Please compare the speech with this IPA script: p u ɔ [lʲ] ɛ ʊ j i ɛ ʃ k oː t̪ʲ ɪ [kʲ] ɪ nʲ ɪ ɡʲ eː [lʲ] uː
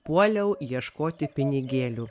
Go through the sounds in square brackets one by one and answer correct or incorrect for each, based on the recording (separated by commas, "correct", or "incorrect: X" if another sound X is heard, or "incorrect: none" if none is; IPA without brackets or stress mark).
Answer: correct, incorrect: pʲ, correct